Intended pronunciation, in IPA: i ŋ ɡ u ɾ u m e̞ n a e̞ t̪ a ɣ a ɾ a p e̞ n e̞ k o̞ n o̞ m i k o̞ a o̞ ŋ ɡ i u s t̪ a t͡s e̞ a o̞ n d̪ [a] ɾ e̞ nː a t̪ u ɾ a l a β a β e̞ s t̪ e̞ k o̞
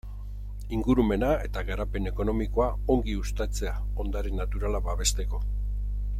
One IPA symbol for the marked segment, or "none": a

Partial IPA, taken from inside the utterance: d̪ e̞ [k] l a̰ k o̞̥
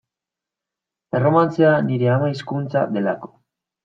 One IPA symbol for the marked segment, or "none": none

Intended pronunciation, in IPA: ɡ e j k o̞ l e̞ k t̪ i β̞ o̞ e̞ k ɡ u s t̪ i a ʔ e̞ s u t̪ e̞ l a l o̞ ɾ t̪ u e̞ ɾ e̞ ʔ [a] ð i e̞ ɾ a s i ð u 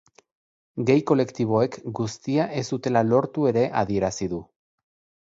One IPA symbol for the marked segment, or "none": a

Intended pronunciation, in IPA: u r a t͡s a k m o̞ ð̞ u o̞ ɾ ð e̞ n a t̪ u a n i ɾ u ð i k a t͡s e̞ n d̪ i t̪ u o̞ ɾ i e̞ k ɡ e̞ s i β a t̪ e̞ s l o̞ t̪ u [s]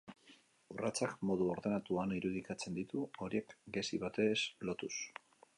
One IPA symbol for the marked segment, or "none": s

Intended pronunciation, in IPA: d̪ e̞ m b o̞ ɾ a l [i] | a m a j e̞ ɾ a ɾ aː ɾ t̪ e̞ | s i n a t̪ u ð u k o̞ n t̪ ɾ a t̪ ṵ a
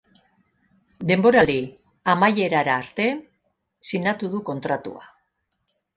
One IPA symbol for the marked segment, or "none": i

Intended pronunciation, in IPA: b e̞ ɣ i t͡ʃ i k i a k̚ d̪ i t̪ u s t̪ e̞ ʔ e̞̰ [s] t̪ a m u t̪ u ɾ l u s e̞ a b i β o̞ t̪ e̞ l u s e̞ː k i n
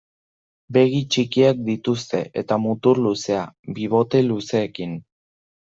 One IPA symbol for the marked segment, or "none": none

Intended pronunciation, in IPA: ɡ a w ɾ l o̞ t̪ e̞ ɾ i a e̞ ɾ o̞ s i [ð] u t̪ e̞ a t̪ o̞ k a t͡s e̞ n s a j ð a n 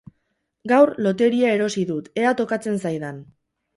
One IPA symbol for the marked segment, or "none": ð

